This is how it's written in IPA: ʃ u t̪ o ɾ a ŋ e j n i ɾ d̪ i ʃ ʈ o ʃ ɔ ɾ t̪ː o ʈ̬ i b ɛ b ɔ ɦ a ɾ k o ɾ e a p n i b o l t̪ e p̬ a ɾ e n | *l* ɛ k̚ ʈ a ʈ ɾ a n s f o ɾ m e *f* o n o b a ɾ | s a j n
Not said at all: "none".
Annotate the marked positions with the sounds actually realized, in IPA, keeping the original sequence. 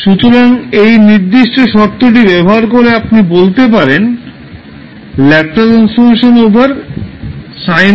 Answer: l, ʃ

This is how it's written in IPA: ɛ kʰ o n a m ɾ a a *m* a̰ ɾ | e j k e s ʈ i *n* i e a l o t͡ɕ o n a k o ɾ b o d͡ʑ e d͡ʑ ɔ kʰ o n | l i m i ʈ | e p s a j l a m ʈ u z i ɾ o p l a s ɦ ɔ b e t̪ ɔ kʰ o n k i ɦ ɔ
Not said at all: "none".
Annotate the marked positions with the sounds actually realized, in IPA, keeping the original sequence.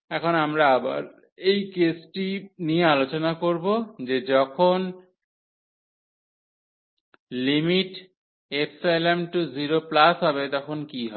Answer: b, n

